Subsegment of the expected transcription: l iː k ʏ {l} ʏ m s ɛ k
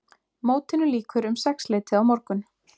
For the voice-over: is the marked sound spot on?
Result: no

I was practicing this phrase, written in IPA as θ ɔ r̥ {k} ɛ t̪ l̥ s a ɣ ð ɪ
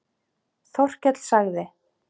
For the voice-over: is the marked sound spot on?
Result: no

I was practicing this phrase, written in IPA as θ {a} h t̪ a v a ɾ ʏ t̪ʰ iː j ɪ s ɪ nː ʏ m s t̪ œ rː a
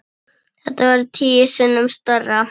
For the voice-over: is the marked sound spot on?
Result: no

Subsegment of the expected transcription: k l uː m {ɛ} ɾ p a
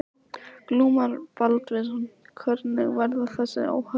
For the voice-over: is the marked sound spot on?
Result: no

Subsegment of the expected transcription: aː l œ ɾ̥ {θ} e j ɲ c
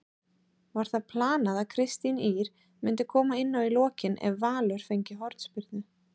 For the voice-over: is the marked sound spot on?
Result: no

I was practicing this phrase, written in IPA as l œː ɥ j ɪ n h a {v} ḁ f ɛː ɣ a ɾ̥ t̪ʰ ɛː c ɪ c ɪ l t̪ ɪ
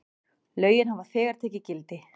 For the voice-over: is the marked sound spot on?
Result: yes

